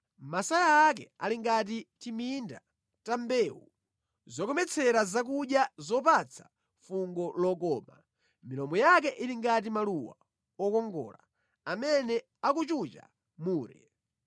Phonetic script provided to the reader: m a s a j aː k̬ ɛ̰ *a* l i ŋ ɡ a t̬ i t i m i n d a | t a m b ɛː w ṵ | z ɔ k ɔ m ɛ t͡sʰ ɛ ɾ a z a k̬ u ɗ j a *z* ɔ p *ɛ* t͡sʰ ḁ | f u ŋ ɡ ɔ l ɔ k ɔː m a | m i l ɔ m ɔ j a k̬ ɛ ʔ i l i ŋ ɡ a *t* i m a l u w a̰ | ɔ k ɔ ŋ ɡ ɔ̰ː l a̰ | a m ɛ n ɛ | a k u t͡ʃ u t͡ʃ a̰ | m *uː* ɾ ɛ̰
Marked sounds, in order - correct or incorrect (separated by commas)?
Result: correct, correct, incorrect, correct, correct